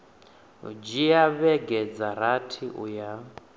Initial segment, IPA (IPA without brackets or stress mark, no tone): d͡ʒ